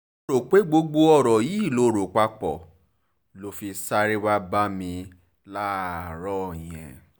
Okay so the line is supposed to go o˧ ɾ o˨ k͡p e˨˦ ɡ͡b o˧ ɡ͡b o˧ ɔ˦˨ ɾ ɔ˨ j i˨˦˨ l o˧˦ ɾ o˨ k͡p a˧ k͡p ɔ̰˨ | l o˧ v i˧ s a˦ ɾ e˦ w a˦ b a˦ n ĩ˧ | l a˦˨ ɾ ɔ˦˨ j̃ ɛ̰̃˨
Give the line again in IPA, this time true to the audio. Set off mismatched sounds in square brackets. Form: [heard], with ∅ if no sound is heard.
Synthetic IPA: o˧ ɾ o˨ k͡p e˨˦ ɡ͡b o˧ ɡ͡b o˧ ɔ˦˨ ɾ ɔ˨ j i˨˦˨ l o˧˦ ɾ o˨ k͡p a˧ k͡p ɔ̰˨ | l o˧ [f] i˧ s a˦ ɾ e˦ w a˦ b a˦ [m] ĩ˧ | l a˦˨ ɾ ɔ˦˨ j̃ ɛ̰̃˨